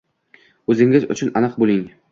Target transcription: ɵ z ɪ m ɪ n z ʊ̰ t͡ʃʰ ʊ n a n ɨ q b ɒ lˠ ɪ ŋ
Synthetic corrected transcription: ɵ z ɪ ŋ ɪ z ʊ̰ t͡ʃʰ ʊ n a n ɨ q b o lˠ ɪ ŋ